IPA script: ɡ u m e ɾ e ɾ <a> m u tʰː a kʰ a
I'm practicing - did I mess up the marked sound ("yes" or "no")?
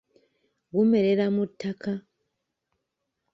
no